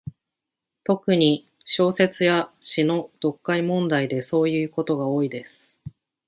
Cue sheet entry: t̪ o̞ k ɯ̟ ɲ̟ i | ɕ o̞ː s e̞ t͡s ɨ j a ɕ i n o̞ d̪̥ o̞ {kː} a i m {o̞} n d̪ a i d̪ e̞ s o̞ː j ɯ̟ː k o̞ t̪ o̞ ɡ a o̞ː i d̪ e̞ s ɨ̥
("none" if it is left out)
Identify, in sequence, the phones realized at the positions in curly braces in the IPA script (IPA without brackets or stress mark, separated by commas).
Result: kː, õ̞